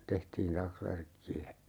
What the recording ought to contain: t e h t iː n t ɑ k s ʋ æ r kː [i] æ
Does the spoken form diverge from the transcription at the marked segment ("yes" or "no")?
no